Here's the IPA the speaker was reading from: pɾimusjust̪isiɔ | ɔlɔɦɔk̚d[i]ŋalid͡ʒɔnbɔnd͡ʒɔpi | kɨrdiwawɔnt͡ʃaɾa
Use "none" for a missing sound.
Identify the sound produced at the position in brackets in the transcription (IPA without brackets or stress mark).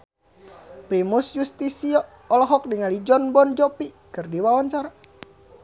i